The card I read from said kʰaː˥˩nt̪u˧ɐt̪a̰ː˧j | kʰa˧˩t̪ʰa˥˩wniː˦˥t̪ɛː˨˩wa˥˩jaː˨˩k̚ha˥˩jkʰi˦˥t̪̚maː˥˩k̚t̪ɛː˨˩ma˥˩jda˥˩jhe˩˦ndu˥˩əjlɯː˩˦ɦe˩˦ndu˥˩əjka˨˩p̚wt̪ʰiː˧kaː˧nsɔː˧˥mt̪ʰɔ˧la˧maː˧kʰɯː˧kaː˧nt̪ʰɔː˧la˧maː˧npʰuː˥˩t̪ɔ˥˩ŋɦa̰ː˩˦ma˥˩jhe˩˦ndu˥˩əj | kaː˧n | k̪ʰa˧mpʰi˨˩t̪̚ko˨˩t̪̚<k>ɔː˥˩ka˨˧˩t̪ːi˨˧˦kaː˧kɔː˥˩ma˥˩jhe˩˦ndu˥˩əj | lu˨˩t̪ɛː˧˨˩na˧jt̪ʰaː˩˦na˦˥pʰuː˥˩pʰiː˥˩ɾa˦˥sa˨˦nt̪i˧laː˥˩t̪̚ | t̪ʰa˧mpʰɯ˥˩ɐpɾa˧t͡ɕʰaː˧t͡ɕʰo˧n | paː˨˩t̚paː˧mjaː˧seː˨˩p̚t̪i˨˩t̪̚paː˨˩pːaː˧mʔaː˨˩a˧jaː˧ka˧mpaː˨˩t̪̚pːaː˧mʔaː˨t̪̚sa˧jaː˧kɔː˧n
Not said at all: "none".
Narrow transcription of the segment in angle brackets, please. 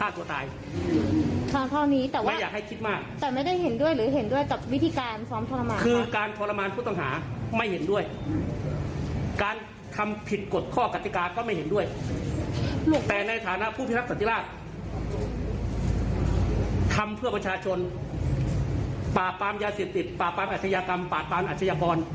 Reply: kʰ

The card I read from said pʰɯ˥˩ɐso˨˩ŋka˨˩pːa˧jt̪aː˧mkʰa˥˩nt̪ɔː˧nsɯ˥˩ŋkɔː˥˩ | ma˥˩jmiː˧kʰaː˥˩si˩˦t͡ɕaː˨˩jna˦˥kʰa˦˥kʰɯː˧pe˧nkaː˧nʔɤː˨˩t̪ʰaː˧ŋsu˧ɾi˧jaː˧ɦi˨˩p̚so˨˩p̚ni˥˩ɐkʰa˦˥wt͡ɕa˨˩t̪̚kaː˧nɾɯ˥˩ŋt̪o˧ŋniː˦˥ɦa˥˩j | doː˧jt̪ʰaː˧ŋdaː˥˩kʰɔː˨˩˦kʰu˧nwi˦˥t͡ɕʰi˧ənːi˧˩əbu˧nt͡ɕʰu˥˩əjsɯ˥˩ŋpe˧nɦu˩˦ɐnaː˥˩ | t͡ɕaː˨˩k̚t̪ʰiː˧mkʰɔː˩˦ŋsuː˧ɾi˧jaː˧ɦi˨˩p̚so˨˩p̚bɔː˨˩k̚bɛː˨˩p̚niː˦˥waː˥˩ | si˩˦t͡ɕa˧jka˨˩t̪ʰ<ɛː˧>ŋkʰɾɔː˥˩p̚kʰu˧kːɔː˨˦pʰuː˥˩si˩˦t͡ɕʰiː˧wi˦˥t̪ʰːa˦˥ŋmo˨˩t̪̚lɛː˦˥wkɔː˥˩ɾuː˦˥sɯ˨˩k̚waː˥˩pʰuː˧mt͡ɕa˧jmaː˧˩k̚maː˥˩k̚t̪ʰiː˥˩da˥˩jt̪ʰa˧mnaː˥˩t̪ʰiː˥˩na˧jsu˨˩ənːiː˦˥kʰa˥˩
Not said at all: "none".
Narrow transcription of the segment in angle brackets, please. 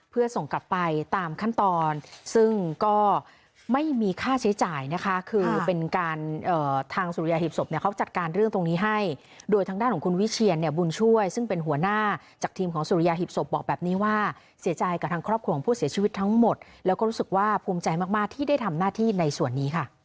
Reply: aː˧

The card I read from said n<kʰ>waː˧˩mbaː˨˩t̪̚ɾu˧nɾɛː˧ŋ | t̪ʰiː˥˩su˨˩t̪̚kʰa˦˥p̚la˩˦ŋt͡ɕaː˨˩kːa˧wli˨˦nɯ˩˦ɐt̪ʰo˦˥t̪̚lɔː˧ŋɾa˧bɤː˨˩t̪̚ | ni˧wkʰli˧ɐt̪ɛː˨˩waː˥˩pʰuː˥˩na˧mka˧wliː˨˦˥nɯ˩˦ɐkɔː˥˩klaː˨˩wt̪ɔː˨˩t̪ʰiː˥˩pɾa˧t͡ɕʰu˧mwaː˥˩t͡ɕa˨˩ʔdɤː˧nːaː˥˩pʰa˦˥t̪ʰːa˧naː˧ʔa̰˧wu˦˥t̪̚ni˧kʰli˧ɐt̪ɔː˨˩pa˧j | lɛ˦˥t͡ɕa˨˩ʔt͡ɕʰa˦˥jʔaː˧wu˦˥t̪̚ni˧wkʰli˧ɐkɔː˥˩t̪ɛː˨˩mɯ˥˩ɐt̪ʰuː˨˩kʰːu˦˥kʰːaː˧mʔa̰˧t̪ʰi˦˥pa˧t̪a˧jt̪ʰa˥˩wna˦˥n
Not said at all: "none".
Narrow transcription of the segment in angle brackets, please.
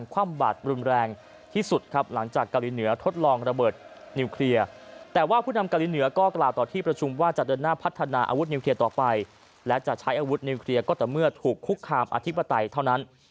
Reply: kʰ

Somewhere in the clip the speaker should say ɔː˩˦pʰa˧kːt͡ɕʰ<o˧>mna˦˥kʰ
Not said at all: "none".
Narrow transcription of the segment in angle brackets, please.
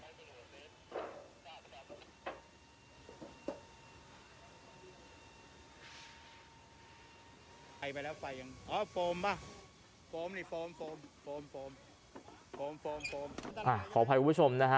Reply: o˧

